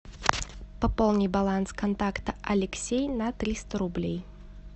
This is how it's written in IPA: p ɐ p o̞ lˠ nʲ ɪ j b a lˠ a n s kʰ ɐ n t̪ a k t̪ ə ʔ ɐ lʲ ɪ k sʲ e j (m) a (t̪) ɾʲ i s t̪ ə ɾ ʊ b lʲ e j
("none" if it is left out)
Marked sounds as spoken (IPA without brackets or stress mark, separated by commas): n, t̪